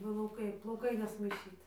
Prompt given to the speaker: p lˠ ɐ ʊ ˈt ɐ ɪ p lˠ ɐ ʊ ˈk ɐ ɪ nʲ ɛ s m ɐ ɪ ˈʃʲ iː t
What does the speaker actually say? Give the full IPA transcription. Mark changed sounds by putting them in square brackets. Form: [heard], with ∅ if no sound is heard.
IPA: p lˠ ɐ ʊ [ˈk] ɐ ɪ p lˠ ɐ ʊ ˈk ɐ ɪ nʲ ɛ s m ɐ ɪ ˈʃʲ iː t